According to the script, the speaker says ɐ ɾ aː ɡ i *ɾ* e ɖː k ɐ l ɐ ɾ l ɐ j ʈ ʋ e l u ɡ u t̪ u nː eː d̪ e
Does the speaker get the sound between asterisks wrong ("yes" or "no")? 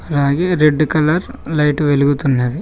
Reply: no